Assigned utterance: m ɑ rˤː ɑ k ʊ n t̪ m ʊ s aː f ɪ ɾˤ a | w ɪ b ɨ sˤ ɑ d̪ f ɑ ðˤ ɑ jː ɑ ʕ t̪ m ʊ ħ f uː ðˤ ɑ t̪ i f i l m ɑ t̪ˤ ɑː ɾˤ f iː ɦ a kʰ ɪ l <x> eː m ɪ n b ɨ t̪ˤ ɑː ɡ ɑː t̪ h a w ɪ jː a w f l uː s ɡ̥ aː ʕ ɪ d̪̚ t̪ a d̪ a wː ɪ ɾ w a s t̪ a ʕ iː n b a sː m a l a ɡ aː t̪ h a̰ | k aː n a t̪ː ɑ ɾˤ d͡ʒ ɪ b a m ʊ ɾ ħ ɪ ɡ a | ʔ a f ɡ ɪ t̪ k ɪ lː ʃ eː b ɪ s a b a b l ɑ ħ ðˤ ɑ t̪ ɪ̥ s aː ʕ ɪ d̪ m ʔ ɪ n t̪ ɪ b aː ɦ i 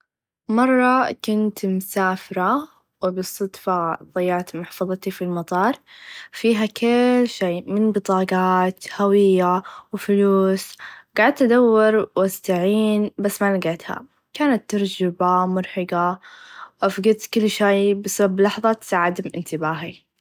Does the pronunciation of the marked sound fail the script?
yes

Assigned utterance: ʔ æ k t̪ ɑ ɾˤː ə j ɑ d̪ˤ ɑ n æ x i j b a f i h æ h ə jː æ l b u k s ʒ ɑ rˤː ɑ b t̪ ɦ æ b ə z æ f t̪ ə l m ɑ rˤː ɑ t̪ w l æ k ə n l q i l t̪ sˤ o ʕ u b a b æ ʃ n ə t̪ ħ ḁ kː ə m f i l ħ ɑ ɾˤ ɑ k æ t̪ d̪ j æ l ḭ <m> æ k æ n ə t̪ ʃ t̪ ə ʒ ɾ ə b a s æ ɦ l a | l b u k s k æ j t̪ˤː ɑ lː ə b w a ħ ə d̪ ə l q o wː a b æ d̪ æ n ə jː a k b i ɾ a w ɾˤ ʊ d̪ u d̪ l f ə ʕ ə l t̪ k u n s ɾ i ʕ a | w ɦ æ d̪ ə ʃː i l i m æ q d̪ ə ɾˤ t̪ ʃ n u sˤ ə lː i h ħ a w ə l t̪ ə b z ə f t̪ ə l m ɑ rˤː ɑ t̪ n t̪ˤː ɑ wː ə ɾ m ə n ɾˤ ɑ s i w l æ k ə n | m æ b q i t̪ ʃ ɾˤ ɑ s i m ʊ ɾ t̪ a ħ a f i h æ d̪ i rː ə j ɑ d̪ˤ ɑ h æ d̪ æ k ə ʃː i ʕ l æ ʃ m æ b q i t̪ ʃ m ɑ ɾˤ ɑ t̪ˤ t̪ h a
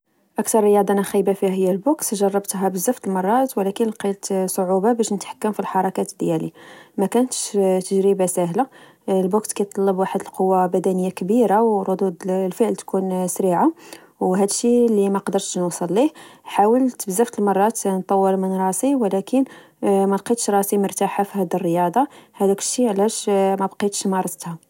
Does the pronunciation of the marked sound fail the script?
no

